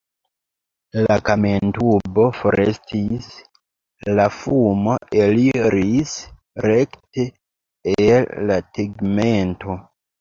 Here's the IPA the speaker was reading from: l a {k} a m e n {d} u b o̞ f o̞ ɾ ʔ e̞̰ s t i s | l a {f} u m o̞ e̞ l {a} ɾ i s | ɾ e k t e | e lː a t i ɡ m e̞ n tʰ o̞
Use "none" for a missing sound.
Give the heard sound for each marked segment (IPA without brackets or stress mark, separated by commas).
k, t, f, i